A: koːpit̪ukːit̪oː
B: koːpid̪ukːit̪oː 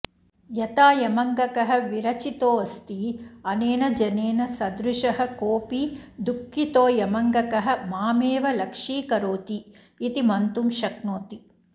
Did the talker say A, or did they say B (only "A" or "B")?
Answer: B